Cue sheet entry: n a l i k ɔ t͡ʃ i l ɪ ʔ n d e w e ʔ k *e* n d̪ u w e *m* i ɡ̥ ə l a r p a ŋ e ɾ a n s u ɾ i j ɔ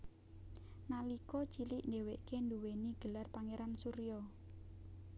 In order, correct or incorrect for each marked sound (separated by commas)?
correct, incorrect